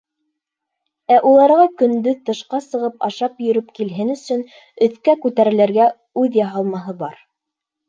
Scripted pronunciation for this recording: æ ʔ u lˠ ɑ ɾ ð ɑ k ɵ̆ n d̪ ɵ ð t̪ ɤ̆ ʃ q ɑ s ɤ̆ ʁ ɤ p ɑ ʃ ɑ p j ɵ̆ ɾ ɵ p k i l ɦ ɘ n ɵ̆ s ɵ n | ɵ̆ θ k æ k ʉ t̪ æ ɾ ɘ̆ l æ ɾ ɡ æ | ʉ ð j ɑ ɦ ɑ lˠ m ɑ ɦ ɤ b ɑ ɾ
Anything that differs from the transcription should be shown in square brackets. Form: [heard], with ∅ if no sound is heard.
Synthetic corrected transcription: æ ʔ u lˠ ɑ ɾ [ʁ] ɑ k ɵ̆ n d̪ ɵ ð t̪ ɤ̆ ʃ q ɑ s ɤ̆ ʁ ɤ p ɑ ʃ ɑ p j ɵ̆ ɾ ɵ p k i l ɦ ɘ n ɵ̆ s ɵ n | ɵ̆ θ k æ k ʉ t̪ æ ɾ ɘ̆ l æ ɾ ɡ æ | ʉ ð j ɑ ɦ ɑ lˠ m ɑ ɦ ɤ b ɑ ɾ